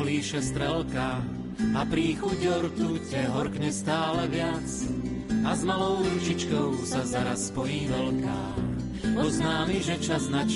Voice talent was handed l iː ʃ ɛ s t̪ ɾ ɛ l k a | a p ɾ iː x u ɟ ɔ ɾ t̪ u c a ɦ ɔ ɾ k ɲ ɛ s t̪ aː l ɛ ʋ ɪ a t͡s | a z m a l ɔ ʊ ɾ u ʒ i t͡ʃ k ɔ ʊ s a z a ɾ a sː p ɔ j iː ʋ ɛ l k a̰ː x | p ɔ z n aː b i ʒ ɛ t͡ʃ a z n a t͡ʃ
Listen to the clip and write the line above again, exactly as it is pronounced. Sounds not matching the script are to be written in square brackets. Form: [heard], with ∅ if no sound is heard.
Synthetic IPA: l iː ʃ ɛ s t̪ ɾ ɛ l k a | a p ɾ iː x u ɟ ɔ ɾ t̪ u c [ɛ] ɦ ɔ ɾ k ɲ ɛ s t̪ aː l ɛ ʋ ɪ a t͡s | a z m a l ɔ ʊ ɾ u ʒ i t͡ʃ k ɔ ʊ s a z a ɾ a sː p ɔ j iː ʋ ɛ l k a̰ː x | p ɔ z n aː [m] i ʒ ɛ t͡ʃ a z n a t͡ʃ